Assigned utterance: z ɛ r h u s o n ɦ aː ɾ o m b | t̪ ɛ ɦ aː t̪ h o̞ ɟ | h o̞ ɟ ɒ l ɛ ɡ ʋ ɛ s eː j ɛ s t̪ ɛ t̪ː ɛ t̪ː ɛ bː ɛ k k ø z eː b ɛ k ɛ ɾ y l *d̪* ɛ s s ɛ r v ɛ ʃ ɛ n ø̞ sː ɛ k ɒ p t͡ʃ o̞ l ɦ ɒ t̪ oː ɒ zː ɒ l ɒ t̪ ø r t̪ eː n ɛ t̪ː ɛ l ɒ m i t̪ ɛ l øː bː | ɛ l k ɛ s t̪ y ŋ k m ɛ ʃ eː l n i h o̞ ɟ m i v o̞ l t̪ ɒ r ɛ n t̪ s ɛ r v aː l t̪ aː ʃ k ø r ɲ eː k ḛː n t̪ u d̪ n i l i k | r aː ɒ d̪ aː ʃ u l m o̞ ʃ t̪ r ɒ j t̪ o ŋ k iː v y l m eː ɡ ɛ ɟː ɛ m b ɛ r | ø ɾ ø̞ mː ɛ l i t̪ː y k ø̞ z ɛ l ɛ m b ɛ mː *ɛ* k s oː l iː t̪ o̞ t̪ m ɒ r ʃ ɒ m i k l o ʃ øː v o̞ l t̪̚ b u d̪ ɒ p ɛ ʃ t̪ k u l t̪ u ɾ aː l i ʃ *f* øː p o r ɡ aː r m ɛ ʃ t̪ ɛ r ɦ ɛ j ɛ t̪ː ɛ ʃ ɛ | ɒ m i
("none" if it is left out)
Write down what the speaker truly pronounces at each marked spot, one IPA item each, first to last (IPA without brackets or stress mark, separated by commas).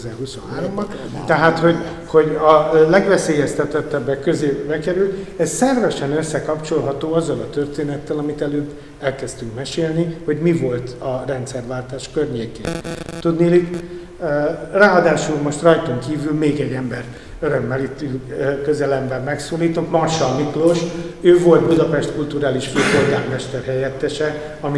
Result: t̪, ɛ, f